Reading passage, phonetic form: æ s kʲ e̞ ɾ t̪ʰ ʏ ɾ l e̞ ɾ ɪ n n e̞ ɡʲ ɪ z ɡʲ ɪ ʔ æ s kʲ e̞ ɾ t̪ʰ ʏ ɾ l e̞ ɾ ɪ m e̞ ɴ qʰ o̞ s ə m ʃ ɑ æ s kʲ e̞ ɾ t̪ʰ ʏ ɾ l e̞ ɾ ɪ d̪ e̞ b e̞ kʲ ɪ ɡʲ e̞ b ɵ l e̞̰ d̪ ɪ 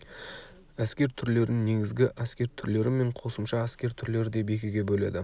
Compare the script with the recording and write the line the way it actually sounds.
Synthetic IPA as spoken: æ s kʲ e̞ ɾ t̪ʰ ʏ ɾ l e̞ ɾ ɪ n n e̞ ɡʲ ɪ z ɡʲ ɪ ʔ æ s kʲ e̞ ɾ t̪ʰ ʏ ɾ l e̞ ɾ ɪ m e̞ ɴ qʰ o̞ s ə m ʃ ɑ æ s kʲ e̞ ɾ t̪ʰ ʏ ɾ l e̞ ɾ ɪ d̪ e̞ b e̞ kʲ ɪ ɡʲ e̞ b ɵ l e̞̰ d̪ ɪ